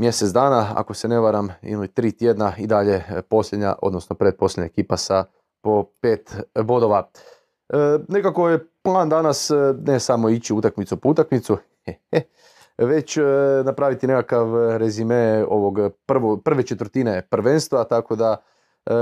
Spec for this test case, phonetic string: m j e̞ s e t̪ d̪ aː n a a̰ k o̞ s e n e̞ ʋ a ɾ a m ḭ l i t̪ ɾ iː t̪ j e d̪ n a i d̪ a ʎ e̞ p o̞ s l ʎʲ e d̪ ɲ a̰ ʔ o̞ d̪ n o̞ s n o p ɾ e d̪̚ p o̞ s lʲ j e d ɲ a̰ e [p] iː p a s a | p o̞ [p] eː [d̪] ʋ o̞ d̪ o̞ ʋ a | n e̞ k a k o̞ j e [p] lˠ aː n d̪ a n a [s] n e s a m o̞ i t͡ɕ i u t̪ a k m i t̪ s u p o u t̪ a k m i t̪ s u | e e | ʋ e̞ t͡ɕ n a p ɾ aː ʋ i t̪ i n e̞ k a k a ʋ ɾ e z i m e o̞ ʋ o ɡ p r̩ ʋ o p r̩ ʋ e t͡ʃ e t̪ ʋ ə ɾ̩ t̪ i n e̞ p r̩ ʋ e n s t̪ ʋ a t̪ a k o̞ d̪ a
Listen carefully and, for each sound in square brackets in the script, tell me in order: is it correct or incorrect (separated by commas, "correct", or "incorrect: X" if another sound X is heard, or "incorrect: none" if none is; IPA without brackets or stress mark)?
incorrect: k, correct, incorrect: t̪, correct, correct